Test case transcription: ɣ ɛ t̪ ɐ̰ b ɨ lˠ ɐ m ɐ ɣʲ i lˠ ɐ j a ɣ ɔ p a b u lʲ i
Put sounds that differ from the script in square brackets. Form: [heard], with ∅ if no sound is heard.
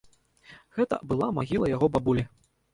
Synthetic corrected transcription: ɣ ɛ t̪ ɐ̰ b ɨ lˠ [a] m [a] ɣʲ i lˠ ɐ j a ɣ ɔ [b] a b u lʲ i